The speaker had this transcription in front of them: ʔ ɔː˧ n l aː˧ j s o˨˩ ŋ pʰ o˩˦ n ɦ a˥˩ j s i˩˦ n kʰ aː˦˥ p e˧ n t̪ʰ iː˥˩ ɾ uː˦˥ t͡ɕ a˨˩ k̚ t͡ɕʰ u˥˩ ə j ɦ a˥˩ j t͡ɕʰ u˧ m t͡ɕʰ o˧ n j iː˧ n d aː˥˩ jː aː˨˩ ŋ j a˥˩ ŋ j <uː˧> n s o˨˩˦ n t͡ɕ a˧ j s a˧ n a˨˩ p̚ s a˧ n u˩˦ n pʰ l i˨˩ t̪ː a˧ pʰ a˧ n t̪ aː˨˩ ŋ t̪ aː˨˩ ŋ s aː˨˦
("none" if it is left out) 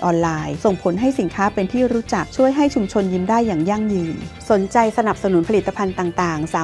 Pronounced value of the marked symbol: ɯː˧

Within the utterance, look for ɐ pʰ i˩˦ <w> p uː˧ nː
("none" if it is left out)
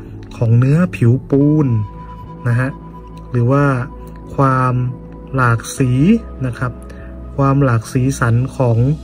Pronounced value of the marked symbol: w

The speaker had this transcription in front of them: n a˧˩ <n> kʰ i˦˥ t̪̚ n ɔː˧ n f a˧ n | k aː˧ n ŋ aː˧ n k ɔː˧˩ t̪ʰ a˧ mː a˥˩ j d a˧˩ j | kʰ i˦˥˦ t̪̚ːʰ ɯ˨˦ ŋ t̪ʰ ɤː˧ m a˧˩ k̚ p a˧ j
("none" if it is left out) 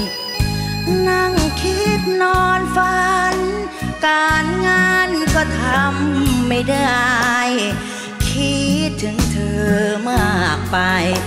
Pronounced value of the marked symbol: ŋ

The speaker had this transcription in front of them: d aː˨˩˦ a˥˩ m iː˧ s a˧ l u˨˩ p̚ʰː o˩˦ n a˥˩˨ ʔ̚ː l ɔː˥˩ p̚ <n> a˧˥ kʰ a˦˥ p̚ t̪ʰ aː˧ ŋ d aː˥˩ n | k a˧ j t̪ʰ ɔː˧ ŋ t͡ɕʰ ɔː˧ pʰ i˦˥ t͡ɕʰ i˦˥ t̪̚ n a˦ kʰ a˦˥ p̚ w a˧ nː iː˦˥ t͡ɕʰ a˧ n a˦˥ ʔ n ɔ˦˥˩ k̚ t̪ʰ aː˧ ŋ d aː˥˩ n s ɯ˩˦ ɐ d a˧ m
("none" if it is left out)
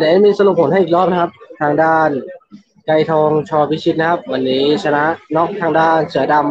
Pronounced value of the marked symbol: n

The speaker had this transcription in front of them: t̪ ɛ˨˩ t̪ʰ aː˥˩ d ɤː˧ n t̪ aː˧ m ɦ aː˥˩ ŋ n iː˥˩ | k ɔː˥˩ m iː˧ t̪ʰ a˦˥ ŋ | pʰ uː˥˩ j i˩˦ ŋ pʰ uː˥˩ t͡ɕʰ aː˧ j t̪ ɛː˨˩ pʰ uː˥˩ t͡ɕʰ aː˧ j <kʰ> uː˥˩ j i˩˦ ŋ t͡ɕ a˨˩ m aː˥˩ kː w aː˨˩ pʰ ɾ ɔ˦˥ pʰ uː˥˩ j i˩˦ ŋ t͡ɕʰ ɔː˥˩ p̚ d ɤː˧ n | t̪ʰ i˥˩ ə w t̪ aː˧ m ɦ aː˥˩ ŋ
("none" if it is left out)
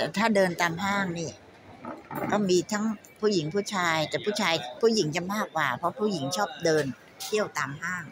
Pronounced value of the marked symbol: pʰ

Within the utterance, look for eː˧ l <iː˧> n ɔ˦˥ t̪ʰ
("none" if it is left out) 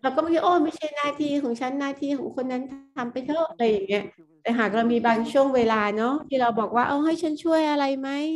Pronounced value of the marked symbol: aː˧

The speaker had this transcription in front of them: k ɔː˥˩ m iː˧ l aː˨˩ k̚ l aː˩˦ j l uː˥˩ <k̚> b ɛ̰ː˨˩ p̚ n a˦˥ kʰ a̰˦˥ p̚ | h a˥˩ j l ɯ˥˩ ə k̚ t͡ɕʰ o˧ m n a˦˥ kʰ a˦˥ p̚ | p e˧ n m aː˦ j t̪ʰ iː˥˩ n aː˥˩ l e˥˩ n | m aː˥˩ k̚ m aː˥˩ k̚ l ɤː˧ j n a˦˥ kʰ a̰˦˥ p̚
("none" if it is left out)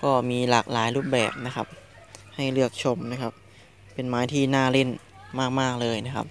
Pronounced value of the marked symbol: p̚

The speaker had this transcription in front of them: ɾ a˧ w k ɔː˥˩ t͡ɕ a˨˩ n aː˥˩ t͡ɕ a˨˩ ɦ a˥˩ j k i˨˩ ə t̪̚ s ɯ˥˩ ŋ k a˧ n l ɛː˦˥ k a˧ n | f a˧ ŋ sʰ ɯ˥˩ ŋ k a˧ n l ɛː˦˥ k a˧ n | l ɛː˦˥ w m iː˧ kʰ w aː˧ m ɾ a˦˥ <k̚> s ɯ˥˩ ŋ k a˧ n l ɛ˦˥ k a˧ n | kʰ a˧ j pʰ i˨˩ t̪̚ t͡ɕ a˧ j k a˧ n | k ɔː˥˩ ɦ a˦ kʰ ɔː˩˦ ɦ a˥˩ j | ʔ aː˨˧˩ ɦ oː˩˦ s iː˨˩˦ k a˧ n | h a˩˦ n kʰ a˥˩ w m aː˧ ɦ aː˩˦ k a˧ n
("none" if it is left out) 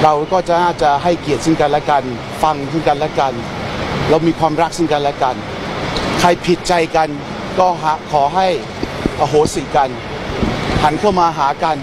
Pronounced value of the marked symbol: k̚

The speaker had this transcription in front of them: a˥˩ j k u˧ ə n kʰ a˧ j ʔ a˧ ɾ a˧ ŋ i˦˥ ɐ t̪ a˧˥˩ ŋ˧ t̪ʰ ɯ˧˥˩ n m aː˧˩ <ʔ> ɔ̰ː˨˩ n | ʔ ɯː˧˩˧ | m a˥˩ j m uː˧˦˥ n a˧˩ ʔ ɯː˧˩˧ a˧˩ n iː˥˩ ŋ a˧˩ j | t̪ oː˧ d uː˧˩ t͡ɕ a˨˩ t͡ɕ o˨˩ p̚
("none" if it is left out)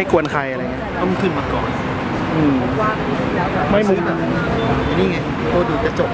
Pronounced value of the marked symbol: k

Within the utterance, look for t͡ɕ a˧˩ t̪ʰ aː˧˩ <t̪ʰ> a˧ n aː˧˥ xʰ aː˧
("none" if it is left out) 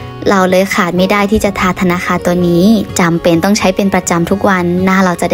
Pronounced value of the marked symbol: t̪ʰ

